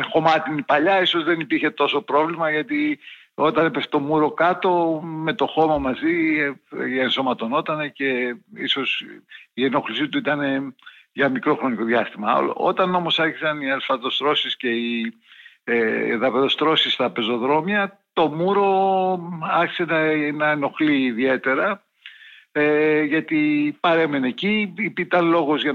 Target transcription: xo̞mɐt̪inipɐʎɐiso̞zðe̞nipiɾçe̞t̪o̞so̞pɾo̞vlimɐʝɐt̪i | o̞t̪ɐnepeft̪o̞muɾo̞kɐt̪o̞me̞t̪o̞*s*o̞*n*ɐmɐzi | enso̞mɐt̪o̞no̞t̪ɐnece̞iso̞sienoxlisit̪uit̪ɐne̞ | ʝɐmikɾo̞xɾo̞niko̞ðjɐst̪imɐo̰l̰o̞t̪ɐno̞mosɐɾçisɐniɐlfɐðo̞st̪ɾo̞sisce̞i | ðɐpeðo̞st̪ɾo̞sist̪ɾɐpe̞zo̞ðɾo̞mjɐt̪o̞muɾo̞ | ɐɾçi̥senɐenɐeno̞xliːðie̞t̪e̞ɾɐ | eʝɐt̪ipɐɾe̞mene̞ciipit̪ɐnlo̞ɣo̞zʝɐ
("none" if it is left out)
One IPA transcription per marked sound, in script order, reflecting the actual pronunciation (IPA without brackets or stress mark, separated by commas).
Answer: x, m